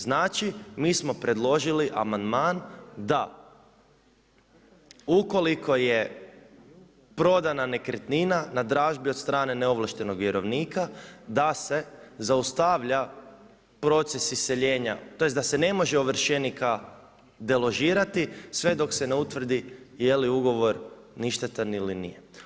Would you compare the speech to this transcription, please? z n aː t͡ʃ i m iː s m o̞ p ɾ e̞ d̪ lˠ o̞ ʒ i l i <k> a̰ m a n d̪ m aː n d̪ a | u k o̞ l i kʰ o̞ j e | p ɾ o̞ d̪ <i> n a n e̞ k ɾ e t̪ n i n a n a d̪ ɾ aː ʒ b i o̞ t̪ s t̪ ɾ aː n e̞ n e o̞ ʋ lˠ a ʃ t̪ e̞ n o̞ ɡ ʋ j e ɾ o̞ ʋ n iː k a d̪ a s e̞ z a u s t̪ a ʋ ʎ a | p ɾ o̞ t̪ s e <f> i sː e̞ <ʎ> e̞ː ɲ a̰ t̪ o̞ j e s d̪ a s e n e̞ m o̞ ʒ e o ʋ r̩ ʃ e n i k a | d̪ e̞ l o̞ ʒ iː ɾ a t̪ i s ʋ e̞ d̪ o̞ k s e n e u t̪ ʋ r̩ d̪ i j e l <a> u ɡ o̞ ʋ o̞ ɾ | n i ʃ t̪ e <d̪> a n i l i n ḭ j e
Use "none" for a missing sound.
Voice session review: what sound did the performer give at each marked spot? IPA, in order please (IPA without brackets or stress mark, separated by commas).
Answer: ʔ, a, s, ʎ, i, t̪